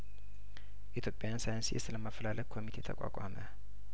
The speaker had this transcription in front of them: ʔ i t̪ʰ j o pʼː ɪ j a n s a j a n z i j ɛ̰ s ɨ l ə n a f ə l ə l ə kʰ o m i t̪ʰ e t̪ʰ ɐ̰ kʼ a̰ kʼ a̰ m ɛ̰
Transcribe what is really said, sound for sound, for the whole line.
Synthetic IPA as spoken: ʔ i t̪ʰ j o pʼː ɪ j a n s a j a n s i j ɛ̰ s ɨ l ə m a f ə l a l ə kʰ o m i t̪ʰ e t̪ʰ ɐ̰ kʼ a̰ kʼ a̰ m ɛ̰